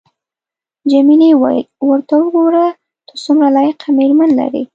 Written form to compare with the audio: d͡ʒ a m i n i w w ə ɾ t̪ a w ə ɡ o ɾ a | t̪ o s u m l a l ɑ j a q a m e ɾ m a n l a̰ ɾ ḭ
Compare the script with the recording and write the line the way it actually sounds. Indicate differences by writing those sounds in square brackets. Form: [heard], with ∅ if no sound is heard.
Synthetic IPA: d͡ʒ a m i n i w w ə ɾ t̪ a w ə ɡ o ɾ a | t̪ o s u m [ɾ] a l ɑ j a q a m e ɾ m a n l a̰ ɾ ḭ